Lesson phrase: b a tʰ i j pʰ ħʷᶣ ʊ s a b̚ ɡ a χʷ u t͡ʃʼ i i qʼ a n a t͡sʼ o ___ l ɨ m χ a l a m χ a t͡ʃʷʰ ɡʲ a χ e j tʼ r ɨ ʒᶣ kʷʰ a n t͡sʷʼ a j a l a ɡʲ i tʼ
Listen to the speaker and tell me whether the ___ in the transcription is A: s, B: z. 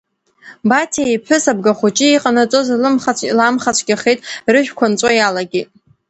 B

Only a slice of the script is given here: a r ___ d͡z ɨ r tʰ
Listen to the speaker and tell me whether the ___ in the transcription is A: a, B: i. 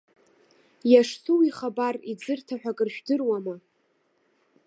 B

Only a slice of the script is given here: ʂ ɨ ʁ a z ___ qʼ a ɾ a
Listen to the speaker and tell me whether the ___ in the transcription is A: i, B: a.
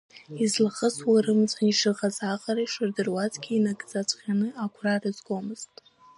B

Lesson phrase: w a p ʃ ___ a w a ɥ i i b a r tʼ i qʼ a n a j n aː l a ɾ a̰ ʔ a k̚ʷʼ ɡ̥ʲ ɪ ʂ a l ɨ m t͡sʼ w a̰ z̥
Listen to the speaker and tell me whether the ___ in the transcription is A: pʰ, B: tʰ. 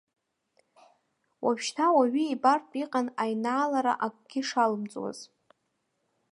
B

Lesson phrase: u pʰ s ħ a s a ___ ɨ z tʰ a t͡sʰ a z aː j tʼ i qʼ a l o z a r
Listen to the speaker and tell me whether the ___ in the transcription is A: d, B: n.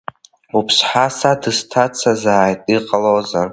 A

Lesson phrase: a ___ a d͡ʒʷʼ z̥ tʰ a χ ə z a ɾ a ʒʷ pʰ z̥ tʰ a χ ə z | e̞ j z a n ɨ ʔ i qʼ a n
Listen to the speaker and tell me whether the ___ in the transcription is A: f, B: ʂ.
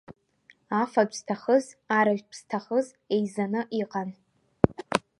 A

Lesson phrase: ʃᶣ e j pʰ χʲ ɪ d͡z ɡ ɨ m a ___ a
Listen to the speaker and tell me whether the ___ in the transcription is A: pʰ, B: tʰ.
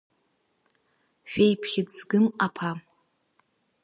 A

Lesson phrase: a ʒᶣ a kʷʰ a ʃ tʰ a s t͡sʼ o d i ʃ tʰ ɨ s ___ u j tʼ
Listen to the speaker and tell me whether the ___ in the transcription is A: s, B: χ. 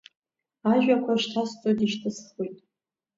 B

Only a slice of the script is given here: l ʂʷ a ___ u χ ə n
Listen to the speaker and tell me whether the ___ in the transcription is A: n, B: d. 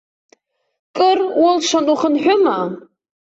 A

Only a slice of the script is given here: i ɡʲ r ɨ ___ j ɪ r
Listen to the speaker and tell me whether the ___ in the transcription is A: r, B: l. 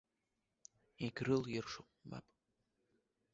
B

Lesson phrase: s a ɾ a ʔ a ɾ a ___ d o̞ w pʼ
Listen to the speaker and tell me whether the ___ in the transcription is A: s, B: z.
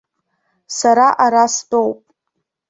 A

